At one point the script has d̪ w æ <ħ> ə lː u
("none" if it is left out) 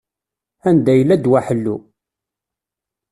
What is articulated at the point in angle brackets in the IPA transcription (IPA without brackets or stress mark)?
ħ